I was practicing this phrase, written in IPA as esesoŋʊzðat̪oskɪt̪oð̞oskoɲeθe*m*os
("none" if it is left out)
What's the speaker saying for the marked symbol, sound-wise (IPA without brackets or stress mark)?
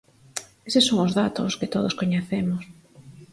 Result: m